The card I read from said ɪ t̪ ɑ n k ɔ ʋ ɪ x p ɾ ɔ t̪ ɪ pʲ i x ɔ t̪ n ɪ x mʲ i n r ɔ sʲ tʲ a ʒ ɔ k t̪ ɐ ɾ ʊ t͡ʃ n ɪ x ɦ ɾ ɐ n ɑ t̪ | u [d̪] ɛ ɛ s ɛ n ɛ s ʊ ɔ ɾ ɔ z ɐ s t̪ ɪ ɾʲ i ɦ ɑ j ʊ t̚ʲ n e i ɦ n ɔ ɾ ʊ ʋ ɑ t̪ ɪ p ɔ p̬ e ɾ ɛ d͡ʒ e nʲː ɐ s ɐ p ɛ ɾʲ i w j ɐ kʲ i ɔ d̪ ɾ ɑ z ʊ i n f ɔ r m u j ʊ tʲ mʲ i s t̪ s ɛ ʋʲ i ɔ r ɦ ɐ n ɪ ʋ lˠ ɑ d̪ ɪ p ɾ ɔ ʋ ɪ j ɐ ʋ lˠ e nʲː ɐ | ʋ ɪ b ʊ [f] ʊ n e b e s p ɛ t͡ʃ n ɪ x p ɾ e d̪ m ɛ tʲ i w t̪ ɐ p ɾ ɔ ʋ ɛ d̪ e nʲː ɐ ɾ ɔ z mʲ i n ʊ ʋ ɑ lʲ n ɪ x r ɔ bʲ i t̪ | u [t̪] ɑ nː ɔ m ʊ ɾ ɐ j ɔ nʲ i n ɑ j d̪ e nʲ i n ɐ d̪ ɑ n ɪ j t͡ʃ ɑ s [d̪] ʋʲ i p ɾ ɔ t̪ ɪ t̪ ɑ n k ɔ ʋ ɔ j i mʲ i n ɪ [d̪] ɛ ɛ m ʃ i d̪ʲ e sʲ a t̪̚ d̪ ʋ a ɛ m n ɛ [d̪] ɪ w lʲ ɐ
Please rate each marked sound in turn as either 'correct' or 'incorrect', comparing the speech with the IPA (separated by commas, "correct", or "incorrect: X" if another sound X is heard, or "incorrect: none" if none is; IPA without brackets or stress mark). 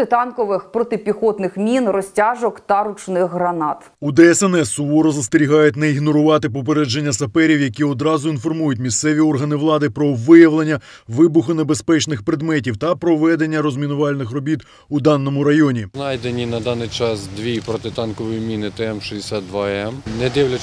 correct, incorrect: x, incorrect: d̪, correct, incorrect: t̪, correct